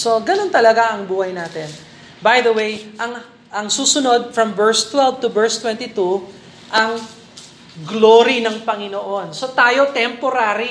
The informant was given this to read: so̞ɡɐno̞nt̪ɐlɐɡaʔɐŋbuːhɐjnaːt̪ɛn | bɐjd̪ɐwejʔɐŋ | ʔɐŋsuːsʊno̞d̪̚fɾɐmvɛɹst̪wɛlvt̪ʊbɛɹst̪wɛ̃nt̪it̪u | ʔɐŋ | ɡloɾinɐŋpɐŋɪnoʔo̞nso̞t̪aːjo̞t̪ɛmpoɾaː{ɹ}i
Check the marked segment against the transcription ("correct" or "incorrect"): incorrect